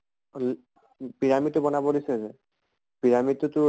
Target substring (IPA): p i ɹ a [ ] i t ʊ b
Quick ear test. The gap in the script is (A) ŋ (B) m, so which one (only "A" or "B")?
B